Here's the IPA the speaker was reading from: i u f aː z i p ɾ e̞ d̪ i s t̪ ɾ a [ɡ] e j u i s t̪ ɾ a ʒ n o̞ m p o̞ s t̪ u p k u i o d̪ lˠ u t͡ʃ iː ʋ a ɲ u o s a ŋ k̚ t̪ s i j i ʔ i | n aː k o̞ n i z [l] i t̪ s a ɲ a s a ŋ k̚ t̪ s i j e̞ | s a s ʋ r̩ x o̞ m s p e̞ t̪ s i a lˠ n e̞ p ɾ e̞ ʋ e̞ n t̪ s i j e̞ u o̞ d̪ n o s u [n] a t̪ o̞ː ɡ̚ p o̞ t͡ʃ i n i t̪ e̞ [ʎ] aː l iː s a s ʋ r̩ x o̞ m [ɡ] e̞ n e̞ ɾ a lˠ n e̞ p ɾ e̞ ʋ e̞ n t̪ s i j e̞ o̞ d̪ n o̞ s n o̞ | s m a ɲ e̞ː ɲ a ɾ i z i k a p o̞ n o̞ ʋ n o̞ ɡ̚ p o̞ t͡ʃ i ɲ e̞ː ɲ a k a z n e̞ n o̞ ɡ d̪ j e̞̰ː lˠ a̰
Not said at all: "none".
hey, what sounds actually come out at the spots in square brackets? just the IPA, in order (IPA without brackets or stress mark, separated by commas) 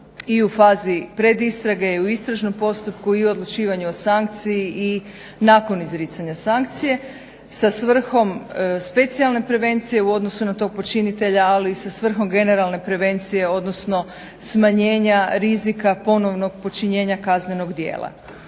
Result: ɡ, ɾ, n, ʎ, ɡ